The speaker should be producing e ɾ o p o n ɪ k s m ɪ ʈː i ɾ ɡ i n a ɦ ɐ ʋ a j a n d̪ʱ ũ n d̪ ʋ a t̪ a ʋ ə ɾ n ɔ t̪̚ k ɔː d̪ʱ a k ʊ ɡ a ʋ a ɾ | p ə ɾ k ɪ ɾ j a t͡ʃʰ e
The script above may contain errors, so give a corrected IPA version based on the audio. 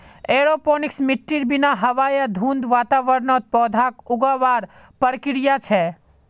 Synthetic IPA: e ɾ o p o n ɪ k s m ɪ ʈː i ɾ b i n a ɦ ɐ ʋ a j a d̪ʱ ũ n d̪ ʋ a t̪ a ʋ ə ɾ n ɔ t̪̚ p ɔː d̪ʱ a k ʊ ɡ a ʋ a ɾ | p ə ɾ k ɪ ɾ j a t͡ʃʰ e